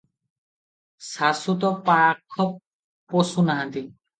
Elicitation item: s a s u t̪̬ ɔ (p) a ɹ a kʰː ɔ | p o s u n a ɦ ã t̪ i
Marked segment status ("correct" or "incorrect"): correct